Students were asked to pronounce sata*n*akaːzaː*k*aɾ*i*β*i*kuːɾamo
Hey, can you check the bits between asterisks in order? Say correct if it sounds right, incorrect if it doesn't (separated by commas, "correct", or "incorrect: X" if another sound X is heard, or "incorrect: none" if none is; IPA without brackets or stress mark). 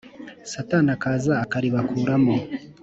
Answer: correct, correct, correct, incorrect: a